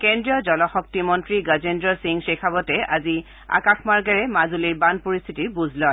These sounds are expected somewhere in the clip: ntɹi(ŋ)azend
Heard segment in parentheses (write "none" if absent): ɡ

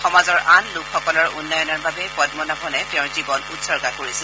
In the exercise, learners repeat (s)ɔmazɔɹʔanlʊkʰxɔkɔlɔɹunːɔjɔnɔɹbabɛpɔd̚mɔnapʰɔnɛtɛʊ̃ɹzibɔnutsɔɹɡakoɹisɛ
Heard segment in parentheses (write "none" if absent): x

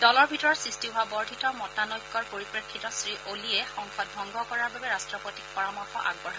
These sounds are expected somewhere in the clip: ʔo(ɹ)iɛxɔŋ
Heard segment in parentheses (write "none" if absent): l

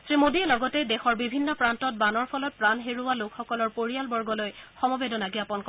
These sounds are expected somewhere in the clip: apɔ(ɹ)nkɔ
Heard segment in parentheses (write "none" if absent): none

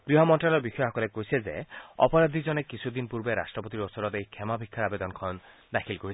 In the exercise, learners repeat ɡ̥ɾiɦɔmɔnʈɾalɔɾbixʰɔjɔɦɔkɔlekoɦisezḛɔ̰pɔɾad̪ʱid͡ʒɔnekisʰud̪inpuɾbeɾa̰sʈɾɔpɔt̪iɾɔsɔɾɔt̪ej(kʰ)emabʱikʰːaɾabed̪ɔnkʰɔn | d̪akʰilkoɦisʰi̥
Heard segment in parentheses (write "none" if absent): kʰ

